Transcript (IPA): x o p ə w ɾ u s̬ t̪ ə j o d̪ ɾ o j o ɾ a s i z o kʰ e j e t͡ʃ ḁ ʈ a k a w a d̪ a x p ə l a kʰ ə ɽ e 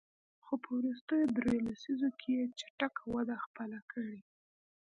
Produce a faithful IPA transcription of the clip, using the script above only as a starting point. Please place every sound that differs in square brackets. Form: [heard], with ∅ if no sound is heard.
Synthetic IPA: x o p ə w ɾ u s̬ t̪ ə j o d̪ ɾ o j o [l] a s i z o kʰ e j e t͡ʃ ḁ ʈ a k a w a d̪ a x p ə l a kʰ ə ɽ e